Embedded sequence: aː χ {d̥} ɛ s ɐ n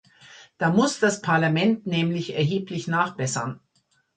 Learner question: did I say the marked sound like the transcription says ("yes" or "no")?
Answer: no